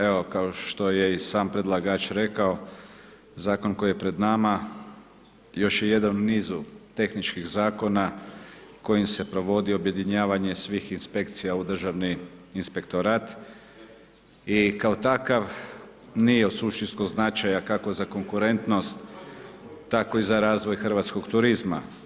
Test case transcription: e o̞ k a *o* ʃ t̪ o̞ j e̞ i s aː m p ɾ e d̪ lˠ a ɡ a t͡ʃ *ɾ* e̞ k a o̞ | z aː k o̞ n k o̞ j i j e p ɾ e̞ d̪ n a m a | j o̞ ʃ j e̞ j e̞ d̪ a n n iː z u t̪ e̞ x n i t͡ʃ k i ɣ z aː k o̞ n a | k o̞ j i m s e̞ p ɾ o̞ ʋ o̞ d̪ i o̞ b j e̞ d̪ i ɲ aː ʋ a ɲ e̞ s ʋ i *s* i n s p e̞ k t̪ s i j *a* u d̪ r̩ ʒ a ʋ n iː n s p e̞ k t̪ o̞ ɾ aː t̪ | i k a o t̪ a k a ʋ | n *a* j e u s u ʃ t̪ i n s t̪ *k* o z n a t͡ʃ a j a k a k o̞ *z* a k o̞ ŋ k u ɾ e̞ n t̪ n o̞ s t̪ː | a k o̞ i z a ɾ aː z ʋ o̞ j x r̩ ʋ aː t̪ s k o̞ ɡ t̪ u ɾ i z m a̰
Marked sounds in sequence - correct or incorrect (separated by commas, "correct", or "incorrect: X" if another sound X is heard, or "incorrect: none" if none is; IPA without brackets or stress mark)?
correct, correct, incorrect: x, correct, incorrect: i, correct, correct